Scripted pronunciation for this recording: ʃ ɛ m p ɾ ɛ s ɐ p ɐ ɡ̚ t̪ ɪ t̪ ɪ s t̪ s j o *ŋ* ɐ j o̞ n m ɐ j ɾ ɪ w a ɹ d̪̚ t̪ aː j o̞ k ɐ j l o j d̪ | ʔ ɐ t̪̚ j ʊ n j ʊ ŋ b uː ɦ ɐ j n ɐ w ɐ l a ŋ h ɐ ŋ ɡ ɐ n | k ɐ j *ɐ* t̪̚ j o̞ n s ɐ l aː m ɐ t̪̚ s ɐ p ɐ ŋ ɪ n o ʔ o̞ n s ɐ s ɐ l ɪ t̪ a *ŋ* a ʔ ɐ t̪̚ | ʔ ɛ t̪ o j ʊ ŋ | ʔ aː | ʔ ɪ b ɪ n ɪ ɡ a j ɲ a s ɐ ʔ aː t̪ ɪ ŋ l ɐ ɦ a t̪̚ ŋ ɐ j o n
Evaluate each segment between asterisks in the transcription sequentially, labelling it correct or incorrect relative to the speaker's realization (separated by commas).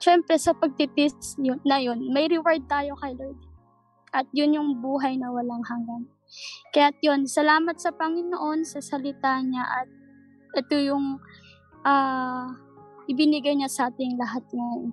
incorrect, incorrect, incorrect